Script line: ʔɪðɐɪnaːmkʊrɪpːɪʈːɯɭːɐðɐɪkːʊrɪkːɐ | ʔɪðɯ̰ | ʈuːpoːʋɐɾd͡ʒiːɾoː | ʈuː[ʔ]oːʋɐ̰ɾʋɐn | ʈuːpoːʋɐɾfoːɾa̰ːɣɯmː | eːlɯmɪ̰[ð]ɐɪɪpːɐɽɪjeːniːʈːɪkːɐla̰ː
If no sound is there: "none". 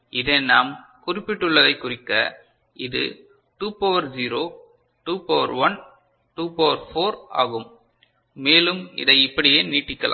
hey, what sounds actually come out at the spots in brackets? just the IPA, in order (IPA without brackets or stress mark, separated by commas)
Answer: p, ð